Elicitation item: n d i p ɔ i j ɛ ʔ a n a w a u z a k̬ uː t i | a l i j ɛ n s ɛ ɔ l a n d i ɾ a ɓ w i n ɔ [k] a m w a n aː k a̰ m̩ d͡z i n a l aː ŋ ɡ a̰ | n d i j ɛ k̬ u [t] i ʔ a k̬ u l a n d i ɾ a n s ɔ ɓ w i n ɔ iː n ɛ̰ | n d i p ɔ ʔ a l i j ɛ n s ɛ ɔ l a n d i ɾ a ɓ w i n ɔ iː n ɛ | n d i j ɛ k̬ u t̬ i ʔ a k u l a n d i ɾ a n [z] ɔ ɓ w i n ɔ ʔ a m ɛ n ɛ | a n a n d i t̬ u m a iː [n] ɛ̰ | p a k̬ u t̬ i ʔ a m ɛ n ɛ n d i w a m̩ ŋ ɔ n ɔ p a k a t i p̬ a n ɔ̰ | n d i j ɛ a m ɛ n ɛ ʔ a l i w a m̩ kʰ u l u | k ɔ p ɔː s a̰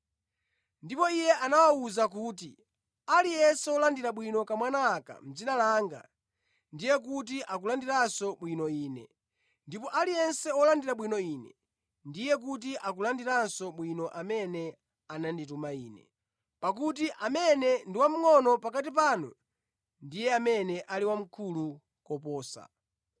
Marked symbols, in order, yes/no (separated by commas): yes, yes, no, yes